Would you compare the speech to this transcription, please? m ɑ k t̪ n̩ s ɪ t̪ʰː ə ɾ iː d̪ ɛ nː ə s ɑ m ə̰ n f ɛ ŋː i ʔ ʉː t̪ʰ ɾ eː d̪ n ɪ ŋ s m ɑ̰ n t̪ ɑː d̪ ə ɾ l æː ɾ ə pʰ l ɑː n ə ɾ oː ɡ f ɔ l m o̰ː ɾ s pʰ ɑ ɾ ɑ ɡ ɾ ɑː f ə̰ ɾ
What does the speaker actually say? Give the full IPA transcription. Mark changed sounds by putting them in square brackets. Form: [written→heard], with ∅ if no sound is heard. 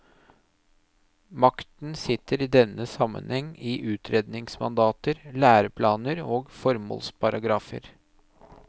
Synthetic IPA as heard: m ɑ k t̪ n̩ s ɪ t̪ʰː ə ɾ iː d̪ ɛ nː ə s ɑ m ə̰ n [f→h] ɛ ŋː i ʔ ʉː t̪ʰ ɾ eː d̪ n ɪ ŋ s m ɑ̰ n [t̪→d̪] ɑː [d̪→t̪] ə ɾ l æː ɾ ə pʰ l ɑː n ə ɾ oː ɡ f ɔ [l→ɾ] m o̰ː [ɾ→l] s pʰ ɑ ɾ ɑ ɡ ɾ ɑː f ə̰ ɾ